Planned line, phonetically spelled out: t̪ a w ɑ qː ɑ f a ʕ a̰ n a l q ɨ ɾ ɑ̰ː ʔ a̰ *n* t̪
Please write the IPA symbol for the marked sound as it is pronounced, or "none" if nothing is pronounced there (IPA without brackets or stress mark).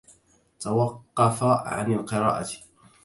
none